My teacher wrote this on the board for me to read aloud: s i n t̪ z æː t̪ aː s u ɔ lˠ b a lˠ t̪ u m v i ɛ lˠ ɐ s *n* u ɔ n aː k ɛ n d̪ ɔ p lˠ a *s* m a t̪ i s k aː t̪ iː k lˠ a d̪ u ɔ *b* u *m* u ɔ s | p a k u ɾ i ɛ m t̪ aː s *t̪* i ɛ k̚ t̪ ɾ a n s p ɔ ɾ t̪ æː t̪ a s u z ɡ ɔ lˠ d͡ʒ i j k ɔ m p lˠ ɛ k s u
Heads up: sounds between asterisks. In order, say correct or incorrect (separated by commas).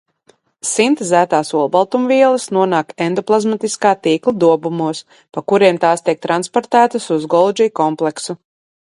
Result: correct, incorrect, correct, correct, correct